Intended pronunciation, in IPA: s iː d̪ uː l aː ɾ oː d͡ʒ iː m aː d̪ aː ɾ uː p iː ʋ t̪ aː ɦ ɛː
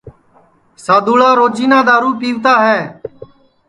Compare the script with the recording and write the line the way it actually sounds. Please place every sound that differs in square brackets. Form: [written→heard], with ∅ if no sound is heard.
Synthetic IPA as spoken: s [iː→aː] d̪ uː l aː ɾ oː d͡ʒ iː [m→n] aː d̪ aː ɾ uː p iː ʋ t̪ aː ɦ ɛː